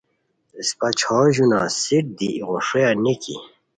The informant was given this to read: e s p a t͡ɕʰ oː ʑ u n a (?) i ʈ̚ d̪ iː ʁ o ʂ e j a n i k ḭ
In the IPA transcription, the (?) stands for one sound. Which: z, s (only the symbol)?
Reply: s